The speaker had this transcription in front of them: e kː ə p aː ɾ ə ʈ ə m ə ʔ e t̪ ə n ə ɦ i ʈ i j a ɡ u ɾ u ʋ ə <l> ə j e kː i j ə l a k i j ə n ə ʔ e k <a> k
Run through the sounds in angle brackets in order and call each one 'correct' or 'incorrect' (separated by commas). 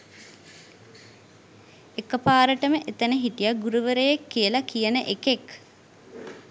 incorrect, incorrect